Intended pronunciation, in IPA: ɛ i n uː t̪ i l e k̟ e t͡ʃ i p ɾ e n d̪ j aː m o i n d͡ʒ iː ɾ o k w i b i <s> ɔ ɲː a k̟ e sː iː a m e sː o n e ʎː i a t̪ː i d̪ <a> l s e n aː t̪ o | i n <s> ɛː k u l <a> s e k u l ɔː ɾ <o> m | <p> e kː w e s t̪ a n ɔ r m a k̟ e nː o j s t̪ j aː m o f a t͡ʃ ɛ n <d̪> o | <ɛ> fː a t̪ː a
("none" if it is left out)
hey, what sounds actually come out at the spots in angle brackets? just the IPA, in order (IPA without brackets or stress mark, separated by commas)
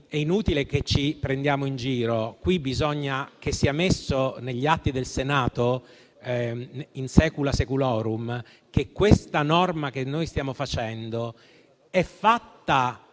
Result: z, e, s, a, u, k, d̪, ɛ